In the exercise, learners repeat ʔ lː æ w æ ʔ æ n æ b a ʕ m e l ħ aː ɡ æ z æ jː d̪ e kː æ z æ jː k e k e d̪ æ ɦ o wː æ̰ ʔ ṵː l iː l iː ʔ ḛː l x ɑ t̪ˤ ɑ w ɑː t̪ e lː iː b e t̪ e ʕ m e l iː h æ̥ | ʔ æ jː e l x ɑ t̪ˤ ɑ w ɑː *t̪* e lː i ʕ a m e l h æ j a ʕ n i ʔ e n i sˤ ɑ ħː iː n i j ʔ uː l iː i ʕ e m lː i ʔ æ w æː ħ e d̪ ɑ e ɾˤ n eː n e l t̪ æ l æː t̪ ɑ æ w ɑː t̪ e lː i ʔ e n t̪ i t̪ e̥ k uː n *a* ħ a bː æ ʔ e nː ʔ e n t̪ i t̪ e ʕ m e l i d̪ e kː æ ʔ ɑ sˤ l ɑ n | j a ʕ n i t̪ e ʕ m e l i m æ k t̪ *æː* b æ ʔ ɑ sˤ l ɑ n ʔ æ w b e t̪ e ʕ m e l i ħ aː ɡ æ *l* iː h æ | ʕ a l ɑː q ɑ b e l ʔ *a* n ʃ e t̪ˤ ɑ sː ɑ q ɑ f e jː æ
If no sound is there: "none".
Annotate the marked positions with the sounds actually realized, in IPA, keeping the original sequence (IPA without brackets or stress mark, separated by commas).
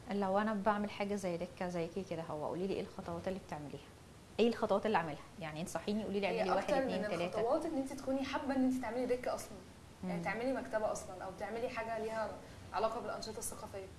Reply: t̪, i, æ, l, ɑ